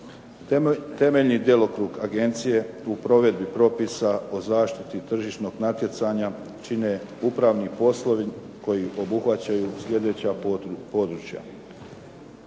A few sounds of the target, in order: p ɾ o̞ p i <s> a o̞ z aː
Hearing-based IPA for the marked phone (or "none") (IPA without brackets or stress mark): s